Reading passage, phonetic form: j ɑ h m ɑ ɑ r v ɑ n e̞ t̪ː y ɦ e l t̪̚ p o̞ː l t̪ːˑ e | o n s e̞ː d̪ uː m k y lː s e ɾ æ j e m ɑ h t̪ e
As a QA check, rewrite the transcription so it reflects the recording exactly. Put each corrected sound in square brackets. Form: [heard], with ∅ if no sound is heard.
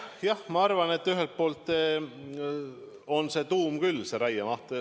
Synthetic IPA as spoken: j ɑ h m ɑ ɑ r v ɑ n e̞ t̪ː y ɦ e l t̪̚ p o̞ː l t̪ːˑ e | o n s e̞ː [t̪] uː m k y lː s e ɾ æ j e m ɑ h t̪ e